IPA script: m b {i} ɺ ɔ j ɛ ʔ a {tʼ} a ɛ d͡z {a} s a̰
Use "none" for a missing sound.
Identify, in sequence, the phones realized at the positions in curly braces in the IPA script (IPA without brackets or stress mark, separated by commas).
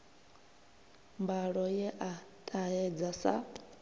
a, tʼ, a